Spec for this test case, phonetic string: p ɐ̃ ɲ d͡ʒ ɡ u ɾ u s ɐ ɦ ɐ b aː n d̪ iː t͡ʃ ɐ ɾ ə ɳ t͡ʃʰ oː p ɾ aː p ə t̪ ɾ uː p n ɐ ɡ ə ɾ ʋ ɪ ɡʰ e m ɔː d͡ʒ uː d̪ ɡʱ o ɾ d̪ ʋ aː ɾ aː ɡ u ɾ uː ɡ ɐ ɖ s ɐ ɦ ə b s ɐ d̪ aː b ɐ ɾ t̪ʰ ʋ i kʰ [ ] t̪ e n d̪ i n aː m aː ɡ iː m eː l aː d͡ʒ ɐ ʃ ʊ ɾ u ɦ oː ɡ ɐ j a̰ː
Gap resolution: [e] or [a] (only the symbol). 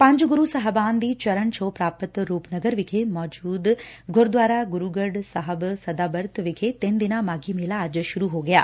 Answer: e